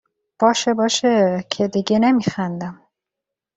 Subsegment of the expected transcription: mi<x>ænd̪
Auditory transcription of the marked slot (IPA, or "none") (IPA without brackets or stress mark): x